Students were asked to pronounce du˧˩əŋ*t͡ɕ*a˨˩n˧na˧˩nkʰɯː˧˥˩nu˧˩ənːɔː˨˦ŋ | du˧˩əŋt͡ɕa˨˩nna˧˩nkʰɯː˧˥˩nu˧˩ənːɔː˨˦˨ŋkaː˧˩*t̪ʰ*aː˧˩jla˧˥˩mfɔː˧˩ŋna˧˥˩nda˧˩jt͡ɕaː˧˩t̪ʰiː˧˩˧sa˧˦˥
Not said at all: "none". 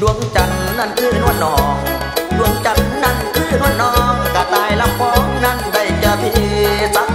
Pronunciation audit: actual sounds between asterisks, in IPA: t͡ɕ, t̪

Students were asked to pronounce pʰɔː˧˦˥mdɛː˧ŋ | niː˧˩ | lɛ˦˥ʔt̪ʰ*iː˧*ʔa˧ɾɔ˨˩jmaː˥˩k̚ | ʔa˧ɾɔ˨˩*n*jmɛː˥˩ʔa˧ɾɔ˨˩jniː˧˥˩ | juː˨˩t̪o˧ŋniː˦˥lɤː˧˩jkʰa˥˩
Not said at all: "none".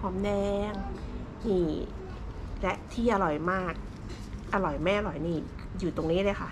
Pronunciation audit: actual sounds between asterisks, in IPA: iː˥˩, none

